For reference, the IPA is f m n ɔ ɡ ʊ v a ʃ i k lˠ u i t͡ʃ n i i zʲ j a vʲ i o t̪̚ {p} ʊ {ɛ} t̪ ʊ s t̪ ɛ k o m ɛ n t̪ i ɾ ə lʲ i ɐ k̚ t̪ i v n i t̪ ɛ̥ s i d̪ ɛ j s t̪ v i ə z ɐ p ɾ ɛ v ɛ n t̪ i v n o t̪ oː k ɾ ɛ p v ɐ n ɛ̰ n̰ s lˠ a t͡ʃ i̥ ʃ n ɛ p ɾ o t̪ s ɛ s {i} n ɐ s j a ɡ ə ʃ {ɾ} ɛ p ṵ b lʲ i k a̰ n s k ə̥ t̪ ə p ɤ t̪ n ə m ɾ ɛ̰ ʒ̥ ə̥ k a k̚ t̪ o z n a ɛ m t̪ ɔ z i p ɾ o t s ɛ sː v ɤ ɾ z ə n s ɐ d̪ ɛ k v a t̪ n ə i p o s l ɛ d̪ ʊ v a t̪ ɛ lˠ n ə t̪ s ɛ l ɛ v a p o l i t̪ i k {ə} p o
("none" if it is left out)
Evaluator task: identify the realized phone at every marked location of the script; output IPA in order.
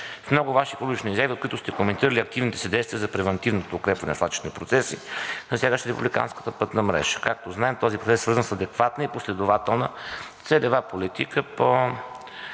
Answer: k, i, i, ɾ, ə

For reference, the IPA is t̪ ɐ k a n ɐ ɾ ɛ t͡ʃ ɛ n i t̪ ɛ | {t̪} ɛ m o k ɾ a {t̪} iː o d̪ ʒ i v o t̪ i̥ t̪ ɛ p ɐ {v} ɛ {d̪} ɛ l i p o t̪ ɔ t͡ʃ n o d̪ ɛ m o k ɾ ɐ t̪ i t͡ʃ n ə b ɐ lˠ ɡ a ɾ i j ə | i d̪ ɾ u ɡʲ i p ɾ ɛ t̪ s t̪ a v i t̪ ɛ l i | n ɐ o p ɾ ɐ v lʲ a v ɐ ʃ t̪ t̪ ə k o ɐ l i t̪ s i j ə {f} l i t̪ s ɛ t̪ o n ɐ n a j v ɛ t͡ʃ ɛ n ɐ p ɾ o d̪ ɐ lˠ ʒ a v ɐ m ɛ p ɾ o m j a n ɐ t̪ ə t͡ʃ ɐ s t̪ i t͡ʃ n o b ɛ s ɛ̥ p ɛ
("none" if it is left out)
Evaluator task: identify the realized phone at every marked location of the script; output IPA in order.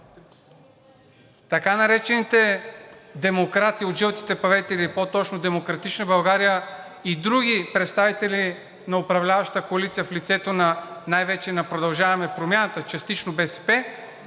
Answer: d̪, t̪, v, t̪, f

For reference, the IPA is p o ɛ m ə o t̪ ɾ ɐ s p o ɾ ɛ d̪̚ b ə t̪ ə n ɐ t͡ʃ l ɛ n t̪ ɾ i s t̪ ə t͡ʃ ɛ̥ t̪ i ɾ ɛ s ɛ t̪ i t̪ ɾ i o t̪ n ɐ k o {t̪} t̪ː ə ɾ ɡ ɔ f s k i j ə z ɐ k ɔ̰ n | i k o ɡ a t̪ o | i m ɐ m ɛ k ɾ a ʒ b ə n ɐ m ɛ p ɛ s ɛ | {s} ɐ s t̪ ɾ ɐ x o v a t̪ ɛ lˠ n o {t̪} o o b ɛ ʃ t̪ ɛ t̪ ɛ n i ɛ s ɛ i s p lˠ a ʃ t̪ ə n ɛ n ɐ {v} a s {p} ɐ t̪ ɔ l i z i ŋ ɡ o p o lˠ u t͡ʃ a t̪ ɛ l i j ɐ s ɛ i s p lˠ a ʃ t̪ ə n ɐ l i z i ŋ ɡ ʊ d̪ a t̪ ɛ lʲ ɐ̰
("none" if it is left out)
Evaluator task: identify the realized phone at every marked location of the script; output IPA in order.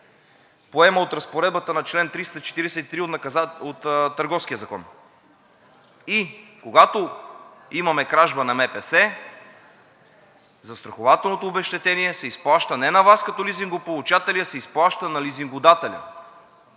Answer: t̪, z, t̪, v, k

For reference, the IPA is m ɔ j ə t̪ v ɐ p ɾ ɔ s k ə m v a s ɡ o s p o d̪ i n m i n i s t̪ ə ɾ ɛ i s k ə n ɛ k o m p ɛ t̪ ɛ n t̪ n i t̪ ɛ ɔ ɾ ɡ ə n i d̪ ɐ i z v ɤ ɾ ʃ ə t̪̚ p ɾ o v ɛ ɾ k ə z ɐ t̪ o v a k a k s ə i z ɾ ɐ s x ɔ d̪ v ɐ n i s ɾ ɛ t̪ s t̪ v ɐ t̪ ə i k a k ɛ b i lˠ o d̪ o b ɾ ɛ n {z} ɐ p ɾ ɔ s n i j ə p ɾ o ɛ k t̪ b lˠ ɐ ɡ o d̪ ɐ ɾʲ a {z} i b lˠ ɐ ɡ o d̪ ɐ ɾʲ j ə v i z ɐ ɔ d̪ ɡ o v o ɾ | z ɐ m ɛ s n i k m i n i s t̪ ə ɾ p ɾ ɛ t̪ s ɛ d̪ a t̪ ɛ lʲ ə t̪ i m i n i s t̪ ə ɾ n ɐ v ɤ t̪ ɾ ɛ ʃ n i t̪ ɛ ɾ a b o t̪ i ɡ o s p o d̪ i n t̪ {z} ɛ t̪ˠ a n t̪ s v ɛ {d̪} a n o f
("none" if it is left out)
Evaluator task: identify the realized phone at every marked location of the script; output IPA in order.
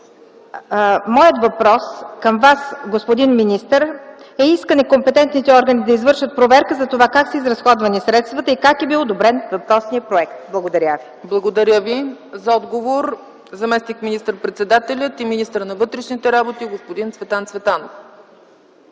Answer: v, v, v, t̪

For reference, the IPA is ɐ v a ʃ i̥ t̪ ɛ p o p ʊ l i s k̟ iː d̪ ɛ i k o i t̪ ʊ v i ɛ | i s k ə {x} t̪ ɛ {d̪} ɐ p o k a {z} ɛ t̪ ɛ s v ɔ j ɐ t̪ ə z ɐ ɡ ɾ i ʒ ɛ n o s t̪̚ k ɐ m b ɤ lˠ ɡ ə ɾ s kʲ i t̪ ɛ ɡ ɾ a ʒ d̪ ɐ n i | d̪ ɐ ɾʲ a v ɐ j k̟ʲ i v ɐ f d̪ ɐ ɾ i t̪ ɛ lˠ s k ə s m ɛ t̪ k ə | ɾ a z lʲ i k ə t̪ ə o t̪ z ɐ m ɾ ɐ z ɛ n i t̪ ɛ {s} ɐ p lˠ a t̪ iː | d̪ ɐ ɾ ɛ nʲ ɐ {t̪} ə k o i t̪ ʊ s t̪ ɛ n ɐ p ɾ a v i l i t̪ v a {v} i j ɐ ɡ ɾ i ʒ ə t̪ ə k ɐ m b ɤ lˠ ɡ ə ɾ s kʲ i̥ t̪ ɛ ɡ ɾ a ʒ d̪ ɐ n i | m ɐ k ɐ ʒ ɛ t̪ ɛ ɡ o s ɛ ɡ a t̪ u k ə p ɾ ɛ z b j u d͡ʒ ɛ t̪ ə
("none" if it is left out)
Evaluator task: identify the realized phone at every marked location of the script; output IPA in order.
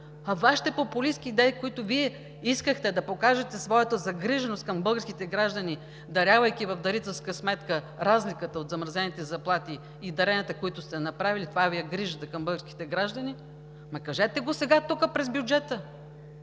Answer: x, d̪, ʒ, z, t̪, v

